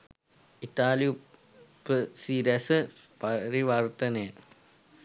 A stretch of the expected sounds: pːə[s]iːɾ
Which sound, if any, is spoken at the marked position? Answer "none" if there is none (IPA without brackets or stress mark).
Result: s